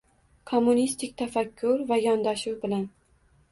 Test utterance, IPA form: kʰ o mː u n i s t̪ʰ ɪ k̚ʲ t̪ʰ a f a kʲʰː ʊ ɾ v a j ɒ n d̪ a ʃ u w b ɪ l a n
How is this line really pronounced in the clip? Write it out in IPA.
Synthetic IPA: kʰ o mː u n i s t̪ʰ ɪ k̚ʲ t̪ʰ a f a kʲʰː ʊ ɾ v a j ɒ n d̪ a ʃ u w b ɪ l a n